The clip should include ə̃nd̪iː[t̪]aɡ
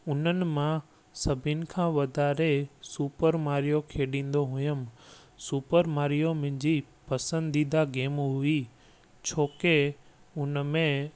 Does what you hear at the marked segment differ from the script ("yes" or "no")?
yes